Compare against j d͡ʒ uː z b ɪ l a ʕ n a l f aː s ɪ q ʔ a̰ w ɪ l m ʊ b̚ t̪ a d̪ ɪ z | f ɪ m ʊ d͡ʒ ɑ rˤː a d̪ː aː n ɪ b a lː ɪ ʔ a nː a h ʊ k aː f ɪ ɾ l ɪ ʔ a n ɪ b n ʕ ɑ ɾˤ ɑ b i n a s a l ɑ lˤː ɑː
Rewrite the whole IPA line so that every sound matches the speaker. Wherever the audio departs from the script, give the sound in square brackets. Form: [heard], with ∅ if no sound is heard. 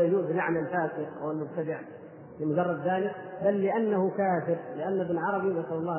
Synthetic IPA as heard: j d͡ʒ uː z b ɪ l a ʕ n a l f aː s ɪ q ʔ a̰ w ɪ l m ʊ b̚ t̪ a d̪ ɪ [ʕ] | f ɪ m ʊ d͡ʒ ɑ rˤː [ɑ] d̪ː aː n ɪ b a lː ɪ ʔ a nː a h ʊ k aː f ɪ ɾ l ɪ ʔ a [nː] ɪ b n ʕ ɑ ɾˤ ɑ b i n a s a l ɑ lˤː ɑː